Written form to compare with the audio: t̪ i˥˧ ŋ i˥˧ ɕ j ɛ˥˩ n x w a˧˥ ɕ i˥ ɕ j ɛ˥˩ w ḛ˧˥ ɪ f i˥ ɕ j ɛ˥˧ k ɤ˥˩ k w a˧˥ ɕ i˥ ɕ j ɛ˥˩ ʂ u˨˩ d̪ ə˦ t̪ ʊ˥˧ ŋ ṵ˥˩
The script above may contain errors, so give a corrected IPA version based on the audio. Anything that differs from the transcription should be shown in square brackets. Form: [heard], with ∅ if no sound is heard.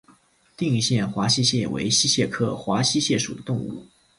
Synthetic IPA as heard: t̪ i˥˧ ŋ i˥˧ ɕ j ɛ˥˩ n x w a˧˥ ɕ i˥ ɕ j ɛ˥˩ w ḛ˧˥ ɪ [ɕ] i˥ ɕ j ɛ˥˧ [kʰ] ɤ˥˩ [x] w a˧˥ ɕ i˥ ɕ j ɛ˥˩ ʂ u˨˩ d̪ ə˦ t̪ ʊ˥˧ ŋ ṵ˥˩